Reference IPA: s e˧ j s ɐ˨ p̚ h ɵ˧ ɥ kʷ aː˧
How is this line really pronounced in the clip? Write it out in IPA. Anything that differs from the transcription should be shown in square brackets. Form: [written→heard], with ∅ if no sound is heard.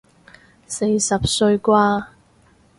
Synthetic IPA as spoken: s e˧ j s ɐ˨ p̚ [h→s] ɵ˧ ɥ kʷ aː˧